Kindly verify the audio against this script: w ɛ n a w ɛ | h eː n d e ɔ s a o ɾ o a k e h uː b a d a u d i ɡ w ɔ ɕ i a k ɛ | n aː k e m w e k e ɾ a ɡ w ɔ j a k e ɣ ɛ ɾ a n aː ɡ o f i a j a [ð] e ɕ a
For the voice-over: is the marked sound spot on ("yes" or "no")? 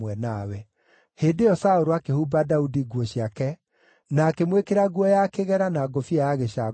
no